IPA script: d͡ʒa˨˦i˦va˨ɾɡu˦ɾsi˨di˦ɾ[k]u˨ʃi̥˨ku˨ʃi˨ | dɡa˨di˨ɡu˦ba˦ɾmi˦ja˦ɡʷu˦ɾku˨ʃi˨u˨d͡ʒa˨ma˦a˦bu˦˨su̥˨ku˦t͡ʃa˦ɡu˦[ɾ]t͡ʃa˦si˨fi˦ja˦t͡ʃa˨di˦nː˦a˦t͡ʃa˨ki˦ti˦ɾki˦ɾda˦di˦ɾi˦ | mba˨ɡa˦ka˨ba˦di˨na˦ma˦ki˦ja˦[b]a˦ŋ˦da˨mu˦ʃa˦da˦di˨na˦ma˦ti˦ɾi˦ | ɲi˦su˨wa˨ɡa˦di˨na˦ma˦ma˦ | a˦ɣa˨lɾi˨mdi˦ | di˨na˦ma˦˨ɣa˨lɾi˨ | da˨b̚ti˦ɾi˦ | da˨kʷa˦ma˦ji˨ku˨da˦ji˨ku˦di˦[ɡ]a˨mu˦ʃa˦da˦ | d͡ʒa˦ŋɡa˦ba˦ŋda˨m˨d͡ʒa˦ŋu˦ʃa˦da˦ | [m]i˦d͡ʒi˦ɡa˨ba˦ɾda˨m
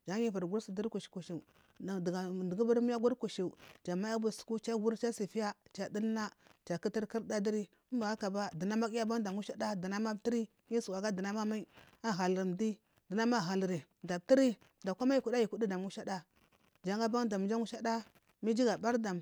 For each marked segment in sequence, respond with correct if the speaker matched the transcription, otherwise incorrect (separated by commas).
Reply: correct, correct, correct, incorrect, correct